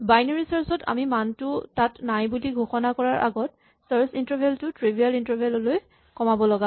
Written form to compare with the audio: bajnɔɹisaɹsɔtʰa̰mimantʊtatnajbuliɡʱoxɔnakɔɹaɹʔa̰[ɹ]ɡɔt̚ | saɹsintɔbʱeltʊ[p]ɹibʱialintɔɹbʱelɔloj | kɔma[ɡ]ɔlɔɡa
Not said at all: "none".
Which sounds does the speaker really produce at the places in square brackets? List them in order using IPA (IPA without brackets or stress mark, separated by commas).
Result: none, t, b